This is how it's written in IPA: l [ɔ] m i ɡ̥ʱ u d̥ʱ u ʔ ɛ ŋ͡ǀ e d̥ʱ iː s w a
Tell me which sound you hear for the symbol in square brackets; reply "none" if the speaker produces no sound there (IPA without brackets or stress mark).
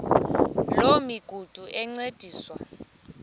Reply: o